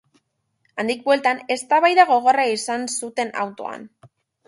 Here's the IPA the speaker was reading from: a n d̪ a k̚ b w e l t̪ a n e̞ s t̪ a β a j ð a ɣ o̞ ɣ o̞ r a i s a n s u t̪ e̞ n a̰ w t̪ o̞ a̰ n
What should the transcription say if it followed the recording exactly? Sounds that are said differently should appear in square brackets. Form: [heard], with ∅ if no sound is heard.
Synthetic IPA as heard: a n d̪ [i] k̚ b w e l t̪ a n e̞ s t̪ a β a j ð a ɣ o̞ ɣ o̞ r a i s a n s u t̪ e̞ n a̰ w t̪ o̞ a̰ n